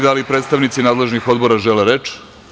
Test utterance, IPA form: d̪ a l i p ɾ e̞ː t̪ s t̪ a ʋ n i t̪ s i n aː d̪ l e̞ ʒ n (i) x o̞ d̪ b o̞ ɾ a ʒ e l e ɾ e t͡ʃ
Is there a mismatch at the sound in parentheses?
no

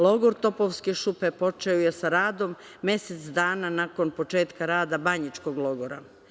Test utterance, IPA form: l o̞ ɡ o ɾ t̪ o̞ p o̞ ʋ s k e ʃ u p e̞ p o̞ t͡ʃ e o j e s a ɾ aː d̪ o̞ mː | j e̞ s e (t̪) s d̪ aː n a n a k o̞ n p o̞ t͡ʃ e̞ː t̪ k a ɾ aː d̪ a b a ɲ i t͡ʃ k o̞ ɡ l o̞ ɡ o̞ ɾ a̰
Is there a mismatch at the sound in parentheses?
no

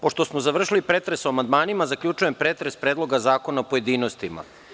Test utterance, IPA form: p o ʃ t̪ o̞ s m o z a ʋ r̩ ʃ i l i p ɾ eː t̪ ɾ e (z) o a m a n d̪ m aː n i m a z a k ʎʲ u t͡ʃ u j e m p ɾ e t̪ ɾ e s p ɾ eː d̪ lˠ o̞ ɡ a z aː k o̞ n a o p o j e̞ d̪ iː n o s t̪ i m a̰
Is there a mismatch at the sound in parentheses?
yes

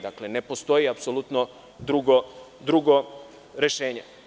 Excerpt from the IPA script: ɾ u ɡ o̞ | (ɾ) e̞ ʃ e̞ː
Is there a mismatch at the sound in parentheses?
no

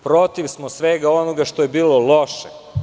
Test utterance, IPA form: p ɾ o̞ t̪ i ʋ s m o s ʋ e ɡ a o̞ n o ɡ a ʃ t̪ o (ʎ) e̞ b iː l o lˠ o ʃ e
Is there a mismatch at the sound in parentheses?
yes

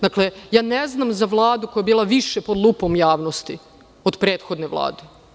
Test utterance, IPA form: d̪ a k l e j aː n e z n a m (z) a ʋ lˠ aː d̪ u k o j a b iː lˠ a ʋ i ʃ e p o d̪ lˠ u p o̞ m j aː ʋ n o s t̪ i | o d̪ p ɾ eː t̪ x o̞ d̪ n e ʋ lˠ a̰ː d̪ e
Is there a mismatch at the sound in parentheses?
no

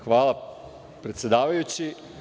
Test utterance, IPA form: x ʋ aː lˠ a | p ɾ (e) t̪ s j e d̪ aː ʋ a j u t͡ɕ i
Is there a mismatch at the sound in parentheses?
no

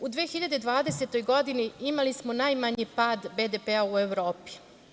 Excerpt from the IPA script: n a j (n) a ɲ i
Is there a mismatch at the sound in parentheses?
yes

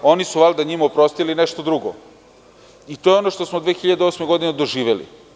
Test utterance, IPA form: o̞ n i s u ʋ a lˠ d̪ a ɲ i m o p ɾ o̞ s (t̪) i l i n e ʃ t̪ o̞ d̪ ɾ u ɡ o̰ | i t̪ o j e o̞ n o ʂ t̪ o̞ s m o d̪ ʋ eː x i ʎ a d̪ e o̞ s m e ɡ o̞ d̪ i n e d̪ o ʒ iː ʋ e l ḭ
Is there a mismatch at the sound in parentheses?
no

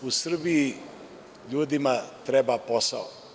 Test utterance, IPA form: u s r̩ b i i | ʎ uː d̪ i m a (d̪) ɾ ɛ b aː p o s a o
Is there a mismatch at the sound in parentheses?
yes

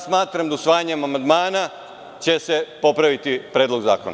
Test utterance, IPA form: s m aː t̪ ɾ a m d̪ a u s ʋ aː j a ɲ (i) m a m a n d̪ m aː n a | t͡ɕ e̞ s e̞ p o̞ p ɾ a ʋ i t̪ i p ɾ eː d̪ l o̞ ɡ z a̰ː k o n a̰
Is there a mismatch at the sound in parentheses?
yes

